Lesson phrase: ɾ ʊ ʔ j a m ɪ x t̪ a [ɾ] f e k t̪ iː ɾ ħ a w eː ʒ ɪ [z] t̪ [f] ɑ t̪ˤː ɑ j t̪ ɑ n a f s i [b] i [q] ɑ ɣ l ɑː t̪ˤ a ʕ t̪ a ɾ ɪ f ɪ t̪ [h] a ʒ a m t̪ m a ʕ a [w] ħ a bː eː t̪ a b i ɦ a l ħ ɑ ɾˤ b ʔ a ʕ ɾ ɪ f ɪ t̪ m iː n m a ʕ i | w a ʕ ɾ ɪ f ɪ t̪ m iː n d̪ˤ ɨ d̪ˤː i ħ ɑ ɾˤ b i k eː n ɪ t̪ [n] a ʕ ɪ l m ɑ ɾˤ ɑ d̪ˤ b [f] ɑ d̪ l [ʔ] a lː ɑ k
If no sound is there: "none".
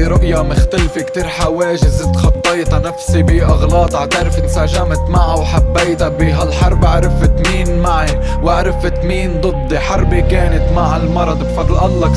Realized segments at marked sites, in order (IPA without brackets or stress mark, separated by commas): l, z, x, b, ʔ, s, w, m, f, ʔ